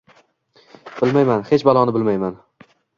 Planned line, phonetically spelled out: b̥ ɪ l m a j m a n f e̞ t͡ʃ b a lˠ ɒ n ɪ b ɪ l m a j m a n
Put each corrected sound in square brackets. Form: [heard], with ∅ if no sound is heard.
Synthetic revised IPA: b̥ ɪ l m a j m a n [h] e̞ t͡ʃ b a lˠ ɒ n ɪ b ɪ l m a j m a n